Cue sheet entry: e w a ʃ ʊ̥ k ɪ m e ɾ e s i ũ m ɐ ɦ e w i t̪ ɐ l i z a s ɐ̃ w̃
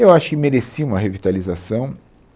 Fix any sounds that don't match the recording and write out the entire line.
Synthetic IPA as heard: e w a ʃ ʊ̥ k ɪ m e ɾ e s i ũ m ɐ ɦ e v i t̪ a l i z a s ɐ̃ w̃